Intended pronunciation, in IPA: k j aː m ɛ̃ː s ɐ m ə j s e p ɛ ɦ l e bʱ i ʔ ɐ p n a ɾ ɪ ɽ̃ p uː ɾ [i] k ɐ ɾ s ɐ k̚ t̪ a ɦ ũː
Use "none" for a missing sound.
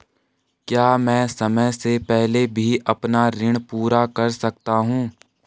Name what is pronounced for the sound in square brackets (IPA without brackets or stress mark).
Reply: a